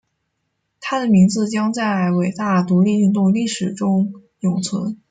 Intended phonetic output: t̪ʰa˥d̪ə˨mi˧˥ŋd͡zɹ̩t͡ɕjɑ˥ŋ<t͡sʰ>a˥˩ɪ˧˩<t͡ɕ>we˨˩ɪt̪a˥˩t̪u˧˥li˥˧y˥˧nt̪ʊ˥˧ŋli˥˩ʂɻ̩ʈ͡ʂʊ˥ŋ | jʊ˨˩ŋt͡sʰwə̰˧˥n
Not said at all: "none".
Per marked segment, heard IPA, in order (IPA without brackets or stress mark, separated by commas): t͡s, none